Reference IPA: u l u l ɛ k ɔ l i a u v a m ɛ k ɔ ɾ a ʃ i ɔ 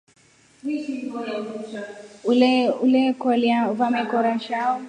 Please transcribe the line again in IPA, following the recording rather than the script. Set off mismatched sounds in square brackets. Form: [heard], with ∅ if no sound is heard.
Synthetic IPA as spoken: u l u l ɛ k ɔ l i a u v a m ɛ k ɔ ɾ a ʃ [a] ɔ